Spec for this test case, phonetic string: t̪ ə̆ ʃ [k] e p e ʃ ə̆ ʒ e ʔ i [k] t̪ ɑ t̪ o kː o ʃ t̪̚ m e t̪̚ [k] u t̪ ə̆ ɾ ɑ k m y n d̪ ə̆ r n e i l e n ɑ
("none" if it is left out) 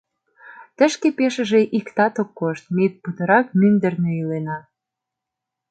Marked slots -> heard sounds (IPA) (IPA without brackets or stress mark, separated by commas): k, k, p